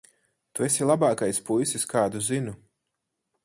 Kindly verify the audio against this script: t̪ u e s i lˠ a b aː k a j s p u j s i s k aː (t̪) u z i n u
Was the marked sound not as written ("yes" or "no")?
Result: yes